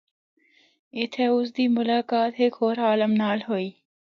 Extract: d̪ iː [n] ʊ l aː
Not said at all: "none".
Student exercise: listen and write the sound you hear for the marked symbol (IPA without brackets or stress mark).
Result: m